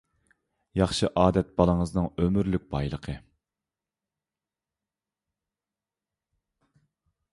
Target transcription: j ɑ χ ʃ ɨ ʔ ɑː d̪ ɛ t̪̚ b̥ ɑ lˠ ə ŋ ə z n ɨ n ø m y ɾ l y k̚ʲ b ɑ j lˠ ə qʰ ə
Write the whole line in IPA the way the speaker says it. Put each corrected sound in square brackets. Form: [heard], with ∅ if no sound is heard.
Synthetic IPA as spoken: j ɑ χ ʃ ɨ ʔ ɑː d̪ ɛ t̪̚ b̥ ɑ lˠ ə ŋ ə z n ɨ [ŋ] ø m y ɾ l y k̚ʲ b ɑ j lˠ ə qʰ ə